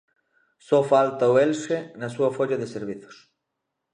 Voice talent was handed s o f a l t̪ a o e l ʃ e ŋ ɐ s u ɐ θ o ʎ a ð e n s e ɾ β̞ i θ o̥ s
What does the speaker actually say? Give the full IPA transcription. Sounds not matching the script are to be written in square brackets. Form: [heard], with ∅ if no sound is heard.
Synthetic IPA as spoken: s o f a l t̪ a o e l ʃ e [n] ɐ s u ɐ [f] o ʎ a ð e [∅] s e ɾ β̞ i θ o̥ s